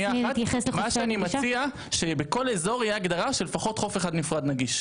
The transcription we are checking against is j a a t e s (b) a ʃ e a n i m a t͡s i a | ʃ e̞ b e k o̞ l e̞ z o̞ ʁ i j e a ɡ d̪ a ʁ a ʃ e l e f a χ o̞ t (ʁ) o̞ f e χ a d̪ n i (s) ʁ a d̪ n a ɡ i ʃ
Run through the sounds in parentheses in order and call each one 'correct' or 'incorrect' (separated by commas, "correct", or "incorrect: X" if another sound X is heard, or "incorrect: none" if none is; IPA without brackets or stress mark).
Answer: incorrect: m, incorrect: χ, incorrect: f